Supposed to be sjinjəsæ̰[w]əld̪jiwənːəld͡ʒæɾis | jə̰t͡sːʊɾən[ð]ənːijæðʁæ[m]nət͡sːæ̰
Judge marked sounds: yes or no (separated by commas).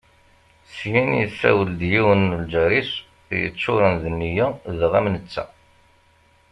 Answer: yes, yes, yes